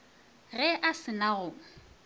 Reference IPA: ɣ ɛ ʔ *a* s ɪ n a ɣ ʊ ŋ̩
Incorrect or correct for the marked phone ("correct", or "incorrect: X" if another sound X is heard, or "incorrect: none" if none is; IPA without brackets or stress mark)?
correct